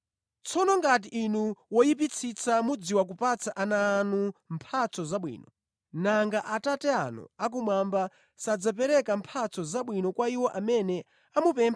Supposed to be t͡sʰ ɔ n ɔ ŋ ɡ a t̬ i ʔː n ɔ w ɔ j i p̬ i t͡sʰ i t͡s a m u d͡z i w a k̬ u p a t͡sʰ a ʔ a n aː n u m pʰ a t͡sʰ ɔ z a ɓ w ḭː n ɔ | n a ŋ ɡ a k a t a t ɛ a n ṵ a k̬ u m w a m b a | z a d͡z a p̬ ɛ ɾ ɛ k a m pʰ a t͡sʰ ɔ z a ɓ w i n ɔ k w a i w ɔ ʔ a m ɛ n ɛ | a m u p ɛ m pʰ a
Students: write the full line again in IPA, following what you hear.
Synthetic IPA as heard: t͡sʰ ɔ n ɔ ŋ ɡ a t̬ i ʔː n u w ɔ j i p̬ i t͡sʰ i t͡s a m u d͡z i w a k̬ u p a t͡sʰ a ʔ a n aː n u m pʰ a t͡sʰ ɔ z a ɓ w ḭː n ɔ | n a ŋ ɡ a ʔ a t a t ɛ a n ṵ a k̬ u m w a m b a | s a d͡z a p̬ ɛ ɾ ɛ k a m pʰ a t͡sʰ ɔ z a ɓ w i n ɔ k w a i w ɔ ʔ a m ɛ n ɛ | a m u p ɛ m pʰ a

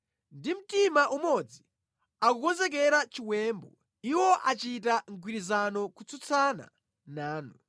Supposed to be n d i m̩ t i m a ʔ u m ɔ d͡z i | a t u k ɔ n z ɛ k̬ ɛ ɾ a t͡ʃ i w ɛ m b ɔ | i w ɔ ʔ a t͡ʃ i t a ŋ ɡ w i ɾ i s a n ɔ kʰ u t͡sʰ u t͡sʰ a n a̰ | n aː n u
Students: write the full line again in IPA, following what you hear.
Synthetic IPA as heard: n d i m̩ t i m a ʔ u m ɔ d͡z i | a k u k ɔ n z ɛ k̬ ɛ ɾ a t͡ʃ i w ɛ m b ɔ | i w ɔ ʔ a t͡ʃ i t a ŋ ɡ w i ɾ i z a n ɔ k u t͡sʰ u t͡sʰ a n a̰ | n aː n u

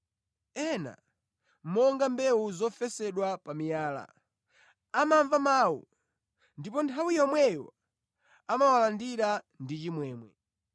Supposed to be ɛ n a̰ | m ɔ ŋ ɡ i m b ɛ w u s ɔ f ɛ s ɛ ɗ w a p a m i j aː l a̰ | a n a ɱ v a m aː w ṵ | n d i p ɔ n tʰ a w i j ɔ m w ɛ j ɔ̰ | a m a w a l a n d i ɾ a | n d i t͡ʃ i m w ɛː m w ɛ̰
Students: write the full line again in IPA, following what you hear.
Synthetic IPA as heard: ɛ n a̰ | m ɔ ŋ ɡ a m b ɛ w u z ɔ f ɛ s ɛ ɗ w a p a m i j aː l a̰ | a m a ɱ v a m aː w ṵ | n d i p ɔ n tʰ a w i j ɔ m w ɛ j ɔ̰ | a m a w a l a n d i ɾ a | n d i t͡ʃ i m w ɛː m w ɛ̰

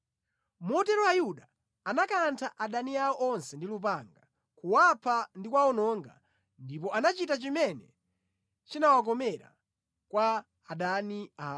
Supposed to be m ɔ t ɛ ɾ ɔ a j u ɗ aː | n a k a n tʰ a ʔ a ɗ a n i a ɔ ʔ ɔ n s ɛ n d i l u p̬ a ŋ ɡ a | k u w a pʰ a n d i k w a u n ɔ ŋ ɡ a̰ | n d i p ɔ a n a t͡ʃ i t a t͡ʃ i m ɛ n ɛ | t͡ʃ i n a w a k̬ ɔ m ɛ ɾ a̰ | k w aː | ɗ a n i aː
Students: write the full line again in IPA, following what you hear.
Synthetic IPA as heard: m ɔ t ɛ ɾ ɔ a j u ɗ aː | n a k a n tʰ a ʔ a ɗ a n i a ɔ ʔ ɔ n s ɛ n d i l u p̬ a ŋ ɡ a | k u w a pʰ a n d i k w a ɔ n ɔ ŋ ɡ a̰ | n d i p ɔ a n a t͡ʃ i t a t͡ʃ i m ɛ n ɛ | t͡ʃ i n a w a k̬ ɔ m ɛ ɾ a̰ | k w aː | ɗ a n i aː

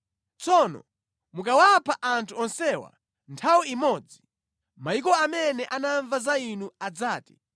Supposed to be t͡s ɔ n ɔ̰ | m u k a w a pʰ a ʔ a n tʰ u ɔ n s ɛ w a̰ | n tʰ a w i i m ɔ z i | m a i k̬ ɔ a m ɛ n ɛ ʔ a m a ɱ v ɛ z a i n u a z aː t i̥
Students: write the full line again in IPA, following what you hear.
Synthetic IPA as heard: t͡s ɔ n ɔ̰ | m u k a w a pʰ a ʔ a n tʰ u ɔ n s ɛ w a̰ | n tʰ a w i i m ɔ d͡z i | m a i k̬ ɔ a m ɛ n ɛ ʔ a n a ɱ v a z a i n u a d͡z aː t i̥

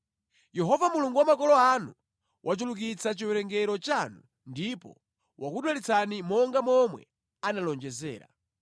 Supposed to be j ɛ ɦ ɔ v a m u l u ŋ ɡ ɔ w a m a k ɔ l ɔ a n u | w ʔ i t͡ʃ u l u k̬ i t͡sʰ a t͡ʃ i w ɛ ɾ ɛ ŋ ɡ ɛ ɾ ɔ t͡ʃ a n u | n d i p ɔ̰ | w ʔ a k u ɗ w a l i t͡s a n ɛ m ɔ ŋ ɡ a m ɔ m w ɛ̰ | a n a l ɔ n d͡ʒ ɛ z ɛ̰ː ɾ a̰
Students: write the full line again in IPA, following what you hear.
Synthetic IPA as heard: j ɛ ɦ ɔ v a m u l u ŋ ɡ u w a m a k ɔ l ɔ a n u | w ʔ a t͡ʃ u l u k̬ i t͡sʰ a t͡ʃ i w ɛ ɾ ɛ ŋ ɡ ɛ ɾ ɔ t͡ʃ a n u | n d i p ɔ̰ | w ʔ a k u ɗ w a l i t͡s a n i m ɔ ŋ ɡ a m ɔ m w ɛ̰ | a n a l ɔ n d͡ʒ ɛ z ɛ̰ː ɾ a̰

